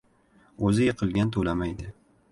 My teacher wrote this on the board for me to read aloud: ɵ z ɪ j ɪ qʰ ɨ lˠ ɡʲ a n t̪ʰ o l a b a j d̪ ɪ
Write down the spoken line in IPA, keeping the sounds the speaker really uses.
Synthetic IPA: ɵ z ɪ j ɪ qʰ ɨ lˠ ɡʲ a n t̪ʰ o l a m a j d̪ ɪ